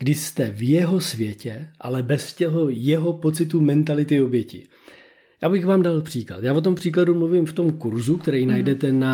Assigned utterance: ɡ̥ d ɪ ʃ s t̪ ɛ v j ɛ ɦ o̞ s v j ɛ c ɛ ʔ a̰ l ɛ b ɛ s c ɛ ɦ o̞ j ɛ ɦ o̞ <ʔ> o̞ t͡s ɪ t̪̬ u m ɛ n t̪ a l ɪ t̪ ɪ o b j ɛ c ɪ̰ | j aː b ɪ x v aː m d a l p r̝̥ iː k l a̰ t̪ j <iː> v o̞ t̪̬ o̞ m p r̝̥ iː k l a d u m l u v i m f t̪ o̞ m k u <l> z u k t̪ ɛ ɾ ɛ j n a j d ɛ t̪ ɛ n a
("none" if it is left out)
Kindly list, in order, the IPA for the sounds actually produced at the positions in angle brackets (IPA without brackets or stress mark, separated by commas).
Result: p, aː, ɾ